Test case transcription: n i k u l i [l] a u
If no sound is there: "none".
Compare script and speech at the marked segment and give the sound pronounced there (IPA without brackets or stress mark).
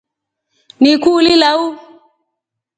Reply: l